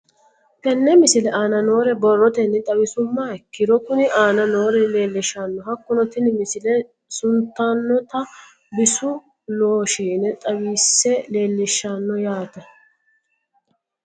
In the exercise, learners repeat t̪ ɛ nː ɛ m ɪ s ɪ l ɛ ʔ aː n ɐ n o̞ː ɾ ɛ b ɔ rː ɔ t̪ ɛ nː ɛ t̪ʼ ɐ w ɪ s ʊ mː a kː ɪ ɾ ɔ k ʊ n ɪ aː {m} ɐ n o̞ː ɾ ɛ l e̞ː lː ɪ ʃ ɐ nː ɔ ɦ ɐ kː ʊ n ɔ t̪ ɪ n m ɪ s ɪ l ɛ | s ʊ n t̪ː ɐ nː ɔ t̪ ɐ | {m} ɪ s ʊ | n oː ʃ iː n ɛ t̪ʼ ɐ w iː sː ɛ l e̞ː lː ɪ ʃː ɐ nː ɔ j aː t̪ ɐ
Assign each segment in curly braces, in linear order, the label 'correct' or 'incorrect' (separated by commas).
incorrect, incorrect